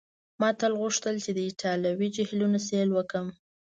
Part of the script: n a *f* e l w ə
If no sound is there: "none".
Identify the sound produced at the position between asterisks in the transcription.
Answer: s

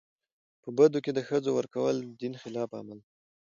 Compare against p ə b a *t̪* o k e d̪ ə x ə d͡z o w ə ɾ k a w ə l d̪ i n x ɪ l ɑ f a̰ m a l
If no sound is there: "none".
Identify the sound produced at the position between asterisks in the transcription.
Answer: d̪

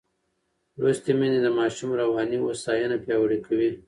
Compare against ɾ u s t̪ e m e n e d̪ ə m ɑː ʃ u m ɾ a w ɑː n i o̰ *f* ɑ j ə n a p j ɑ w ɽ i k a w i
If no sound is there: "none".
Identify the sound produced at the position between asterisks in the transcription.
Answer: s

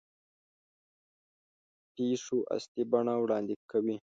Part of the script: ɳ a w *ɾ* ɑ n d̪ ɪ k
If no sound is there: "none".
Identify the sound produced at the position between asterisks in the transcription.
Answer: ɽ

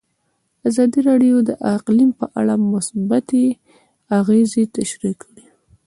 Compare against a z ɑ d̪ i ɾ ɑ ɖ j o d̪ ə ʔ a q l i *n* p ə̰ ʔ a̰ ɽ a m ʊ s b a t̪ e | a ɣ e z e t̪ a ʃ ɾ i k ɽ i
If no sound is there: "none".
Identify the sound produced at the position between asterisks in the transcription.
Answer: m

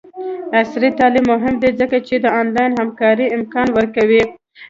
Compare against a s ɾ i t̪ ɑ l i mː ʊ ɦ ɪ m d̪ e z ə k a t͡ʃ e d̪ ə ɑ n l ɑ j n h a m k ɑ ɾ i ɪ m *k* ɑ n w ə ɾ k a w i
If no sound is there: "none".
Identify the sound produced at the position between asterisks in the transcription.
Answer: k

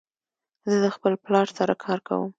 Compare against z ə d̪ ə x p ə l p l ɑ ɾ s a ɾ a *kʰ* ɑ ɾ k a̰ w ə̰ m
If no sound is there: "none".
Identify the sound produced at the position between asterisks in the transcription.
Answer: kʰ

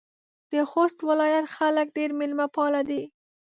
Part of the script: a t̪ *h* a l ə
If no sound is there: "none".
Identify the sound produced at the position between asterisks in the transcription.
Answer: x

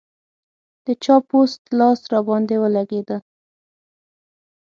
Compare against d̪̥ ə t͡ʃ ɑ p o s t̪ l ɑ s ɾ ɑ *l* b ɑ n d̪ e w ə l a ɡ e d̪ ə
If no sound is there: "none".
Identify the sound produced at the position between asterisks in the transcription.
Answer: none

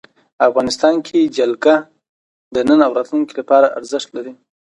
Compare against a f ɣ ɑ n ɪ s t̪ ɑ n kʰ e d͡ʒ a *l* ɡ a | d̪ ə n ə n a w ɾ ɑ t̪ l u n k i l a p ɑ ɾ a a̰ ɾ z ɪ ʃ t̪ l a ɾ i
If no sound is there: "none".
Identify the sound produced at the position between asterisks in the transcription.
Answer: l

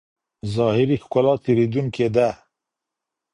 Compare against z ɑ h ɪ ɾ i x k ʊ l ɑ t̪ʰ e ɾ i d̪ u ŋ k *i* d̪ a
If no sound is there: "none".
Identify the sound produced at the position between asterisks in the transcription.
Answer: e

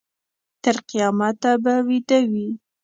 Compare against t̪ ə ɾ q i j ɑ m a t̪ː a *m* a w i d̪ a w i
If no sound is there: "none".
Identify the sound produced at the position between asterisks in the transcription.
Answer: b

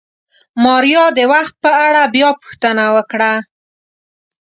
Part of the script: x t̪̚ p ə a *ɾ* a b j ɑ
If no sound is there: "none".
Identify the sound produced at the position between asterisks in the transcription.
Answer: ɽ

